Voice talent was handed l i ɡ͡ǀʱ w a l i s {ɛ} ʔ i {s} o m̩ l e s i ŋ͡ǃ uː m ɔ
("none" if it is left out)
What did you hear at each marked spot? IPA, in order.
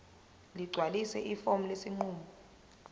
ɛ, f

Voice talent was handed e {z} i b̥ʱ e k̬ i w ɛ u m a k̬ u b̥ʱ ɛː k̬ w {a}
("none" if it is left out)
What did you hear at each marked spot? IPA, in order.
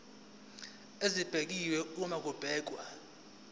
z, a

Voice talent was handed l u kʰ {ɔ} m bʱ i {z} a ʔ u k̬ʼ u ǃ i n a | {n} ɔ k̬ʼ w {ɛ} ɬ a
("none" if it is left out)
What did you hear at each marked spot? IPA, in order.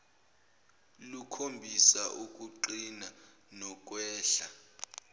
o, s, n, ɛː

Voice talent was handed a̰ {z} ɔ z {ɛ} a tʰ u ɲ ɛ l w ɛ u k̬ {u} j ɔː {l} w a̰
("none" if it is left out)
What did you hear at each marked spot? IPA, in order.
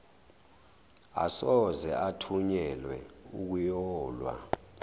s, ɛ, u, l

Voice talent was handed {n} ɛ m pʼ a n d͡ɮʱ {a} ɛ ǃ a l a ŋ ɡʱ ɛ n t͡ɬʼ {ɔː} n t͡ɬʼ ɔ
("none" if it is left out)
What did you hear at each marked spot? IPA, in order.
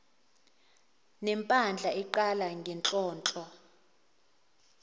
n, a, ɔː

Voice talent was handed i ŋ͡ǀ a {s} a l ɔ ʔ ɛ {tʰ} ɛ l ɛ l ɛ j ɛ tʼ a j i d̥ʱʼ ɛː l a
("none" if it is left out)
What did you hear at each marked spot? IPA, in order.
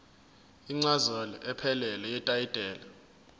z, pʰ

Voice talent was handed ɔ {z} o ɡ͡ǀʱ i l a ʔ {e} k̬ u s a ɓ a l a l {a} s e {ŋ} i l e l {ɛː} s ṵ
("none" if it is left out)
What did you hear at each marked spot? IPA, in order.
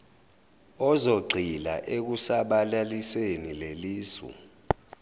z, e, i, n, iː

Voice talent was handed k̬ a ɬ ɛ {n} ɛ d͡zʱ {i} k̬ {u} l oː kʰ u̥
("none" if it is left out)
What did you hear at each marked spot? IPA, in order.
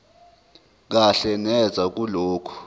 n, a, u

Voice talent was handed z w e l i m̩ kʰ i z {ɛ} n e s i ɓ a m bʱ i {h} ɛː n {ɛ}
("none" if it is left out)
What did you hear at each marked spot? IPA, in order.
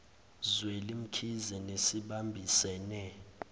ɛ, s, ɛ

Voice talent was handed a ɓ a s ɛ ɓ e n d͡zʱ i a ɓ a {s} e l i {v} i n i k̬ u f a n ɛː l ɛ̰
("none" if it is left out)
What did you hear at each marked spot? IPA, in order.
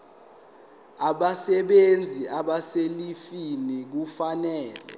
s, f

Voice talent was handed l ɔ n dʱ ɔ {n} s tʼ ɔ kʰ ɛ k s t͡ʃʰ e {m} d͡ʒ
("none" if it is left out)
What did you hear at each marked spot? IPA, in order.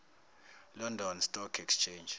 n, n

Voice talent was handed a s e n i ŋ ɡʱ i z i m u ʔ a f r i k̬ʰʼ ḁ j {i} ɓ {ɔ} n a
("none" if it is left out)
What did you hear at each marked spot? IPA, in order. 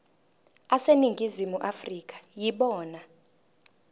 i, ɔː

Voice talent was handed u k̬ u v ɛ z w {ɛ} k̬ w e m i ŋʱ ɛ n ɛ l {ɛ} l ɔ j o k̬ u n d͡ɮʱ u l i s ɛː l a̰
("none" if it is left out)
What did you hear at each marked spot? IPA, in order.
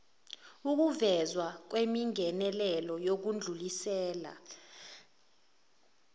a, ɛ

